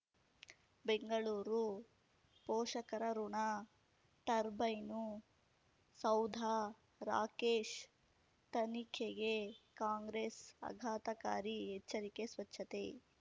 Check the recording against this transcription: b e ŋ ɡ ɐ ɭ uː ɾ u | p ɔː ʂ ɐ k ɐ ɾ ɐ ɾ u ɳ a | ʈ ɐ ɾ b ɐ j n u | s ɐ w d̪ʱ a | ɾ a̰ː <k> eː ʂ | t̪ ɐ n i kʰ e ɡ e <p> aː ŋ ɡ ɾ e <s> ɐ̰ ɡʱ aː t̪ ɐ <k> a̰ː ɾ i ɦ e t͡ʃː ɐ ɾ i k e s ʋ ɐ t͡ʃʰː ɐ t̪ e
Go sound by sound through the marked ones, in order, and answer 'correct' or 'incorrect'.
correct, incorrect: k, correct, correct

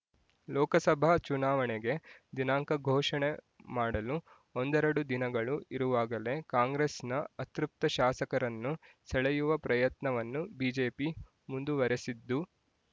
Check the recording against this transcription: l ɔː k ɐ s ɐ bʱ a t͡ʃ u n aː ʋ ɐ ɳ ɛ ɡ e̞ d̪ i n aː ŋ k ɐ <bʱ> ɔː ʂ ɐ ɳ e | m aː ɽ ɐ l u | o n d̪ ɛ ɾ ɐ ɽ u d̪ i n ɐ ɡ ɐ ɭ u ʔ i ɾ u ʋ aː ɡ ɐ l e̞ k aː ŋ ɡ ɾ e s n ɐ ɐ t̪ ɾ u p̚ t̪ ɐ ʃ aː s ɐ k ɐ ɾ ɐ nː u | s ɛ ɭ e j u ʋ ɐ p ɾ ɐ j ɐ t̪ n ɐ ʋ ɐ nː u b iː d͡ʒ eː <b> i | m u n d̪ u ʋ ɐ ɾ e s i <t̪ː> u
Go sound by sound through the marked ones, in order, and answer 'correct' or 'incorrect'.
incorrect: ɡʱ, incorrect: p, incorrect: d̪ː

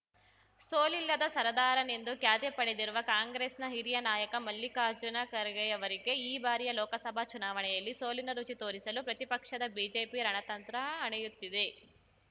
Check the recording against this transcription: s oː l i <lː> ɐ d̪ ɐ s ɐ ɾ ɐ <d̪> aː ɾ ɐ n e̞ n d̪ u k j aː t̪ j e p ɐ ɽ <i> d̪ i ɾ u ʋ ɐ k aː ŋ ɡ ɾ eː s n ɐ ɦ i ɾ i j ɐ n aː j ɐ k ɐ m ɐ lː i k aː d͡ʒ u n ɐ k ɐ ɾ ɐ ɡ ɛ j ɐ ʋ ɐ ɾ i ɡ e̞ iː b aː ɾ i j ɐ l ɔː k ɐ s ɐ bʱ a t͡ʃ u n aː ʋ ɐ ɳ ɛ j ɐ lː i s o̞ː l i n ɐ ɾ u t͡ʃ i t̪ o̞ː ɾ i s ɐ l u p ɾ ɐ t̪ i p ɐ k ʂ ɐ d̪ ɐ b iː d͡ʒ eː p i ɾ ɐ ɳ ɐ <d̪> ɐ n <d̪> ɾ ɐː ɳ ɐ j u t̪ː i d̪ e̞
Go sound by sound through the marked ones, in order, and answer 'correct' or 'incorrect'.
correct, correct, incorrect: e, incorrect: t̪, incorrect: t̪

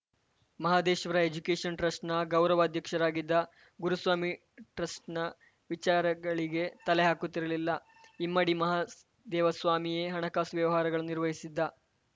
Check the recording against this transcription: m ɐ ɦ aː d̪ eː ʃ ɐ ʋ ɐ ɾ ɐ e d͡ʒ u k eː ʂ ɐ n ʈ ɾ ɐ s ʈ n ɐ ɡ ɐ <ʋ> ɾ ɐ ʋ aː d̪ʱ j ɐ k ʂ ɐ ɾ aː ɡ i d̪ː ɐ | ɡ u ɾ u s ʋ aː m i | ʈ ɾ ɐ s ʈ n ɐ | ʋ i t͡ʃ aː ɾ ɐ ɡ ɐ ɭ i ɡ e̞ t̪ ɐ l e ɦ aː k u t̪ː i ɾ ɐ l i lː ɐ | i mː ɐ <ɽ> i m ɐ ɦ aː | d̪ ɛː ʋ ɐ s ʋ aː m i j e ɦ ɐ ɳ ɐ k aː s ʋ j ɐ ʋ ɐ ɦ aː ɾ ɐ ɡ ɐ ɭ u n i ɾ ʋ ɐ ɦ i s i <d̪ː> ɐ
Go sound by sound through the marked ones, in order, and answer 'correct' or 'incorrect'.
incorrect: w, correct, correct

